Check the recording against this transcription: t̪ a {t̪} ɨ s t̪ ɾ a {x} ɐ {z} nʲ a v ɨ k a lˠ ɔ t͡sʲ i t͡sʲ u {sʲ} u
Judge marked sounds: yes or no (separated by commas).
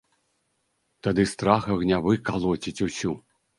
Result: no, yes, no, yes